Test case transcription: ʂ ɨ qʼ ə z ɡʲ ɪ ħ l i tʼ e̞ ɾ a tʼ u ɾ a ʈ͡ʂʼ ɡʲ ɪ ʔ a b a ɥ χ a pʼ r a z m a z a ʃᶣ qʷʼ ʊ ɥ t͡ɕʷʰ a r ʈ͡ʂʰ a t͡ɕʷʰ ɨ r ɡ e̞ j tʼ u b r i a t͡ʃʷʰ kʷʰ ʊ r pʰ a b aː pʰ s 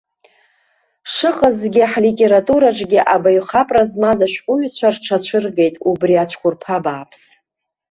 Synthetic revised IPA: ʂ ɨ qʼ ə z ɡʲ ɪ ħ l i tʼ e̞ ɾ a tʼ u ɾ a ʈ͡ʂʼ ɡʲ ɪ ʔ a b a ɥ χ a pʼ r a z m a z a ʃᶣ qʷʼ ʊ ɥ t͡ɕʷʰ a r ʈ͡ʂʰ a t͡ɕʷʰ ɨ r ɡ e̞ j tʼ u b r i a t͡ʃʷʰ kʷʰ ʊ r pʰ a b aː pʰ s